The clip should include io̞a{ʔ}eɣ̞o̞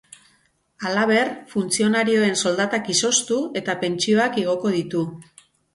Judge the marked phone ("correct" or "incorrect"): incorrect